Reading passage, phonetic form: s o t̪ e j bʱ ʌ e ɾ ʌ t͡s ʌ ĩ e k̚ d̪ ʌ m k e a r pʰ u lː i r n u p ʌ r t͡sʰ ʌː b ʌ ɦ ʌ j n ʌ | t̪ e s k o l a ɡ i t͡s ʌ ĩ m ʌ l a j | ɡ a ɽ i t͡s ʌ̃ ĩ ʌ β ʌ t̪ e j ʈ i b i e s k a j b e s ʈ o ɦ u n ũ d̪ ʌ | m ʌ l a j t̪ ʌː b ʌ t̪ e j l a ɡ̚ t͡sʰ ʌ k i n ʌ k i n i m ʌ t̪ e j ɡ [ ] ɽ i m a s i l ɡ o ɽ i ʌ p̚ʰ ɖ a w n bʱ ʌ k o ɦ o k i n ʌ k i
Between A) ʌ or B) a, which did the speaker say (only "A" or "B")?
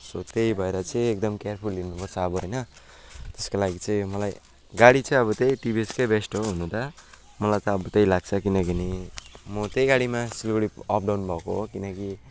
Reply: B